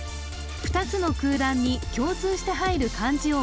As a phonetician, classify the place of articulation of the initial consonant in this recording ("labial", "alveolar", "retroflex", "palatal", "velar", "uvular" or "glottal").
labial